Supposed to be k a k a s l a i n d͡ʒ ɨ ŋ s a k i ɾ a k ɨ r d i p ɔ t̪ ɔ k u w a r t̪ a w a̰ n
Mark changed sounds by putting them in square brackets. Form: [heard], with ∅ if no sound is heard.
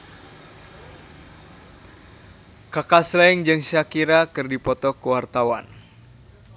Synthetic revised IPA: k a k a s l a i [ŋ] d͡ʒ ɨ ŋ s a k i ɾ a k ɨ r d i p ɔ t̪ ɔ k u w a r t̪ a w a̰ n